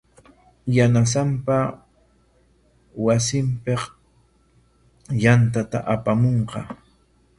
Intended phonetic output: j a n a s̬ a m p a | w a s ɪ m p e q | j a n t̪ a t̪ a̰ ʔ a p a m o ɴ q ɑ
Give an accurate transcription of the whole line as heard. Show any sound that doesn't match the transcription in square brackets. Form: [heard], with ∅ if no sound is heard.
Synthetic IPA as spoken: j a n a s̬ a m p a | w a s ɪ m p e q | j a n t̪ a t̪ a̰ ʔ a p a m o ɴ q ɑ